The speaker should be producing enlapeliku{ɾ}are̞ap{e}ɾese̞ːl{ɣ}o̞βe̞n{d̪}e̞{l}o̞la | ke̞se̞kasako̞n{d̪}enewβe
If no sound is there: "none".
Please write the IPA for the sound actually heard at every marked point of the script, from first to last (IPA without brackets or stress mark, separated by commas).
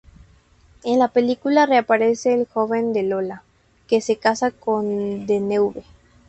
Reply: l, a, x, d̪, l, d̪